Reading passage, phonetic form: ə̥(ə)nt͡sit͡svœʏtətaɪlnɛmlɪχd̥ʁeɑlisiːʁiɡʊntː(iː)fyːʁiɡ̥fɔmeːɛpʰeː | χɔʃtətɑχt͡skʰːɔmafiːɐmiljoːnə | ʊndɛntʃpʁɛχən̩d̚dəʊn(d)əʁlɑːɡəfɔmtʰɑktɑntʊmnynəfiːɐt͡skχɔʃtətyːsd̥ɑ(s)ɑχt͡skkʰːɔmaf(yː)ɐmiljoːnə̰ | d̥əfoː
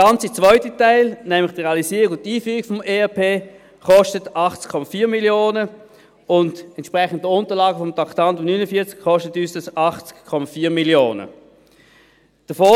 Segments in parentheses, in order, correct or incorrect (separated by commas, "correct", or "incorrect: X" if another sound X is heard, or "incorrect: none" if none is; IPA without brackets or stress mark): incorrect: ɑ, correct, incorrect: t, correct, incorrect: iː